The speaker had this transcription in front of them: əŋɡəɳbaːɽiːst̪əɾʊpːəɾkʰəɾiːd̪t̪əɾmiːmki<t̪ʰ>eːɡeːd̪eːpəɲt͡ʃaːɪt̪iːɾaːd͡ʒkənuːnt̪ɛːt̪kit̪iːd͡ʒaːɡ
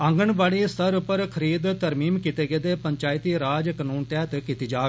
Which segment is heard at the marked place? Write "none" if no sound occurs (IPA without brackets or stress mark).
t̪